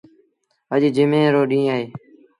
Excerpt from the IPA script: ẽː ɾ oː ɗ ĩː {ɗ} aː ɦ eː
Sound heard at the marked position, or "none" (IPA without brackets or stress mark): none